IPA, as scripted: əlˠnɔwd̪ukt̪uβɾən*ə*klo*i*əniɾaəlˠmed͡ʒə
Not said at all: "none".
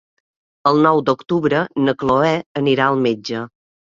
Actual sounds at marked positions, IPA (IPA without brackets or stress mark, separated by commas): ə, ɛ